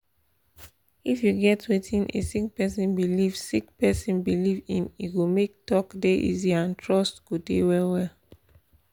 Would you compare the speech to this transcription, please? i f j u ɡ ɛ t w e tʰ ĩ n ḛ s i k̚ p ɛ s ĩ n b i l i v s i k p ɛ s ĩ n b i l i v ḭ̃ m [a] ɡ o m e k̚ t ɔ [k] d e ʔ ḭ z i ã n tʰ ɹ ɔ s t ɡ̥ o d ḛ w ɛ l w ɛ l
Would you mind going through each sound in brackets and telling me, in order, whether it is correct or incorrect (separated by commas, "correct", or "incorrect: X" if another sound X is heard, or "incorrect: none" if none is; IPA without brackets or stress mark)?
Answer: incorrect: i, correct